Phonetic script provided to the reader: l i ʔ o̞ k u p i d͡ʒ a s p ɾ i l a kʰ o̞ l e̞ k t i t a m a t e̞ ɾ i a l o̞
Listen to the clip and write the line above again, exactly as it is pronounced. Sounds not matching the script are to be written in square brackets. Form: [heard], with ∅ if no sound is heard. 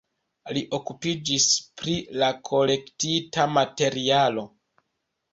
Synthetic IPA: l i ʔ o̞ k u p i d͡ʒ [i] s p ɾ i l a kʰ o̞ l e̞ k t i t a m a t e̞ ɾ i a l o̞